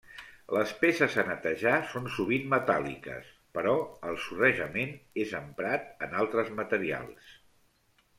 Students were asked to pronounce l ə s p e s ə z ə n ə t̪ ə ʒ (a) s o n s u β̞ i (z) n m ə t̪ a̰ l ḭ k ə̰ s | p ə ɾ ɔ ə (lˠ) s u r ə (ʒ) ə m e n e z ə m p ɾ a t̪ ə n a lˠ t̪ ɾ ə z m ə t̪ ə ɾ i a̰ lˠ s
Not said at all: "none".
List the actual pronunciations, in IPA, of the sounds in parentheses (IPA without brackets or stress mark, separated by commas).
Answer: a, none, lˠ, ʒ